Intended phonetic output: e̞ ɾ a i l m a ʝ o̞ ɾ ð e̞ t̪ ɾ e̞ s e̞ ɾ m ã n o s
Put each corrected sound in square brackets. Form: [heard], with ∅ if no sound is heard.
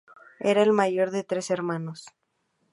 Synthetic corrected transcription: e̞ ɾ a [e] l m a ʝ o̞ ɾ ð e̞ t̪ ɾ e̞ s e̞ ɾ m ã n o s